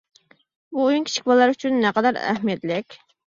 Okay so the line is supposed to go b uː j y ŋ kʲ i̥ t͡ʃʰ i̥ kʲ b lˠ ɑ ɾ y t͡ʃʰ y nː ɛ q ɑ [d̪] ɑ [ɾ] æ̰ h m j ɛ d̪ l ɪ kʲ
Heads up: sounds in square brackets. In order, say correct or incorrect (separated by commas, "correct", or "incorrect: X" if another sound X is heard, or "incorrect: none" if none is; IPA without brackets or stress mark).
correct, correct